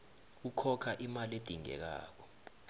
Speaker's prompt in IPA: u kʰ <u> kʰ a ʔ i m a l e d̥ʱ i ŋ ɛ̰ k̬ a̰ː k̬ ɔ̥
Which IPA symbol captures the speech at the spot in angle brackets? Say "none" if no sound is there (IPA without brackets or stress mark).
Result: ɔ